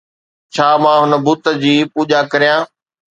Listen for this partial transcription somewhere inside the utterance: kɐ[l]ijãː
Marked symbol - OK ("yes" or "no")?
no